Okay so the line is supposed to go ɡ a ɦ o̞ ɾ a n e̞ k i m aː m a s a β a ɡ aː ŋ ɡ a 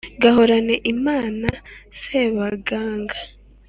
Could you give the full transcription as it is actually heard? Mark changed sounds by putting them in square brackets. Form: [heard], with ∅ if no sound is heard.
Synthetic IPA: ɡ a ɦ o̞ ɾ a n e̞ [ʔ] i m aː [n] a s [e] β a ɡ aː ŋ ɡ a

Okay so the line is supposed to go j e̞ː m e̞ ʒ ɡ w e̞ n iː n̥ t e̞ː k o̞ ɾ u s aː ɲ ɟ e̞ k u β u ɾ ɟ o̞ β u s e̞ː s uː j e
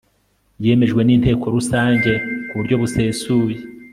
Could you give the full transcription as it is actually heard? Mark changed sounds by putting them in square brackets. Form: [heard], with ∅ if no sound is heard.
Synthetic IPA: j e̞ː m e̞ ʒ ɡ w e̞ n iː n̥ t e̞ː k o̞ ɾ u s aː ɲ ɟ e̞ k u β u ɾ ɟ o̞ β u s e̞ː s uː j e

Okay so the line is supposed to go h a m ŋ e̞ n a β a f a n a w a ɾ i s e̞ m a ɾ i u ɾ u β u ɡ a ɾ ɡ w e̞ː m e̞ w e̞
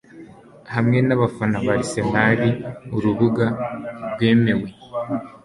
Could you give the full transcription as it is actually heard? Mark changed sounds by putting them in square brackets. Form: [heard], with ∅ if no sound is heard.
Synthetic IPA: h a m ŋ e̞ n a β a f a n a [β] a ɾ i s e̞ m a ɾ i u ɾ u β u ɡ a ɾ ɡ w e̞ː m e̞ w e̞

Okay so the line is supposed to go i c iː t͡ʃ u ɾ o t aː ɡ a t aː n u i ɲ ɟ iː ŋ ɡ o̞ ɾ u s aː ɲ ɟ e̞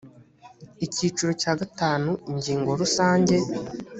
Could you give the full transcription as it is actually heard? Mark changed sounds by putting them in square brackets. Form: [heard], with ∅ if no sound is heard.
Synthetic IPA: i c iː t͡ʃ u ɾ o [c] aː ɡ a t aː n u i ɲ ɟ iː ŋ ɡ o̞ ɾ u s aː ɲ ɟ e̞

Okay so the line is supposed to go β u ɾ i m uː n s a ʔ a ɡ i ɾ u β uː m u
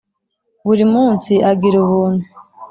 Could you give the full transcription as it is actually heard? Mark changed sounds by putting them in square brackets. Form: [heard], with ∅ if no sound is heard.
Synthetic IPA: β u ɾ i m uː n s [i] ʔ a ɡ i ɾ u β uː [n] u

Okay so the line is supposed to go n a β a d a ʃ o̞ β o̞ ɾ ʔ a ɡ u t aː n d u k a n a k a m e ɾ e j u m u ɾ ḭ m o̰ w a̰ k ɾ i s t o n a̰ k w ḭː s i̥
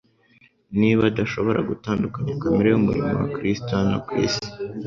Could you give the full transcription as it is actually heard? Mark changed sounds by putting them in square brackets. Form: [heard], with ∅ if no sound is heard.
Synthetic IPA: n [i] β a d a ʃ o̞ β o̞ ɾ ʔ a ɡ u t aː n d u k a [ɲ] a k a m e ɾ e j u m u ɾ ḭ m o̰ w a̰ k ɾ i s t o n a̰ k w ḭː s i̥

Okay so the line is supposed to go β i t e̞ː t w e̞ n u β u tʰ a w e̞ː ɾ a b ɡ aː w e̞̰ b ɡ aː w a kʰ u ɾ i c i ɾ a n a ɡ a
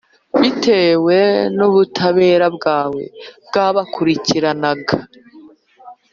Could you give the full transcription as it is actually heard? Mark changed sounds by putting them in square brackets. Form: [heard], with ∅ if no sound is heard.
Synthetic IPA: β i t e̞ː [∅] w e̞ n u β u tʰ a [β] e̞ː ɾ a b ɡ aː w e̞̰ b ɡ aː [β] a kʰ u ɾ i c i ɾ a n a ɡ a

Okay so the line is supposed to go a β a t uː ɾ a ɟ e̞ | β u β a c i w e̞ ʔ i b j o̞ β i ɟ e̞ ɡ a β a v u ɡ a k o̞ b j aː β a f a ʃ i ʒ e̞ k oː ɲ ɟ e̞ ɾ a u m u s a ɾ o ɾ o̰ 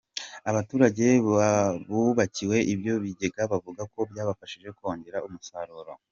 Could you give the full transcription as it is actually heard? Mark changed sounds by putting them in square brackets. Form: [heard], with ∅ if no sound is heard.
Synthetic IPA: a β a t uː ɾ a ɟ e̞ | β u β a c i w e̞ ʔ i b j o̞ β i ɟ e̞ ɡ a β a v u ɡ a k o̞ b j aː β a f a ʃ i ʒ e̞ k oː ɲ ɟ e̞ ɾ a u m u s a ɾ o ɾ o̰

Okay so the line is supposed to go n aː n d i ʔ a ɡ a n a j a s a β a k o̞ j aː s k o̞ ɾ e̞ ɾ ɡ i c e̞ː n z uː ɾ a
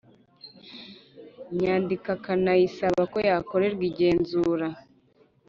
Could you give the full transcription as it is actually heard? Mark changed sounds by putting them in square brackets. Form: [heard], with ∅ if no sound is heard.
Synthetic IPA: [ɲ] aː n d i [k] a [k] a n a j [i] s a β a k o̞ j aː [∅] k o̞ ɾ e̞ ɾ ɡ i [ɟ] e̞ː n z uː ɾ a

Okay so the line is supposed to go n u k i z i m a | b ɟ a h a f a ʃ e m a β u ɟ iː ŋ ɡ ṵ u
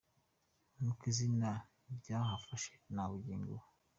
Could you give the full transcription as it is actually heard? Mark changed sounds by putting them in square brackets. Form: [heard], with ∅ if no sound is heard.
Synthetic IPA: n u k i z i [n] a | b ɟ a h a f a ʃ e [n] a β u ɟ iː ŋ ɡ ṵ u

